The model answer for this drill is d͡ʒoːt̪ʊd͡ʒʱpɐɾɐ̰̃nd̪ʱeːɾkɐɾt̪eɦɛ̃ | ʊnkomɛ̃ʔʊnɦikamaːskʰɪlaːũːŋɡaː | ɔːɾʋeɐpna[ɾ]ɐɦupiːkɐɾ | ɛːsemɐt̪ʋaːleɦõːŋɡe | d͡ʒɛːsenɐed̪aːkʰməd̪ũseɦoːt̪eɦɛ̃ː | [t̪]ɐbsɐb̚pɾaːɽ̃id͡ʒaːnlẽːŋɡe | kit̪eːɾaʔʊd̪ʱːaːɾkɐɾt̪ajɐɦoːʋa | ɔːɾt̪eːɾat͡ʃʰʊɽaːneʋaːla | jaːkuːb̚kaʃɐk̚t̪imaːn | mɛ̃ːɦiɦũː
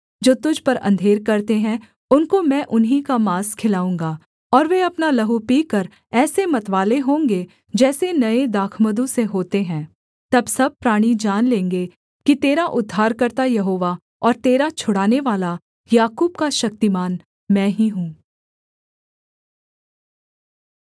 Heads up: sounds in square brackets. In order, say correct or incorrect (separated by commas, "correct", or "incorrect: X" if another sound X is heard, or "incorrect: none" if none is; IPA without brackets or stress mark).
incorrect: l, correct